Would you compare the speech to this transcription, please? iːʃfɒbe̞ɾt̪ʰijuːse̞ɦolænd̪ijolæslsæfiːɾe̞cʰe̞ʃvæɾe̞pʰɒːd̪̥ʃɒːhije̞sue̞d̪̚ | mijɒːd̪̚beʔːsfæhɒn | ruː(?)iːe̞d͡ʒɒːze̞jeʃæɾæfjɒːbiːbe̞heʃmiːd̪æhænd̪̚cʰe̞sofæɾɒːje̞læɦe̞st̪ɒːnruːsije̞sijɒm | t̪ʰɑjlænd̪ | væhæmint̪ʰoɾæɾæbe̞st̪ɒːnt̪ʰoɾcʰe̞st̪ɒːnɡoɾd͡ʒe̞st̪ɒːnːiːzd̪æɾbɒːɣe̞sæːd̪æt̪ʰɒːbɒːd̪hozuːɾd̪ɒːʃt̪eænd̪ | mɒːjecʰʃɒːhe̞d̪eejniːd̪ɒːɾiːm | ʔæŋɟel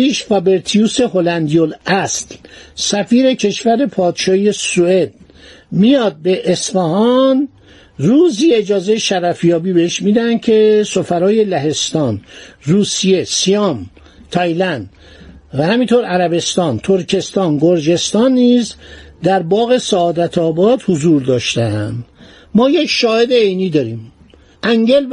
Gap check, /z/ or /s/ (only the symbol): z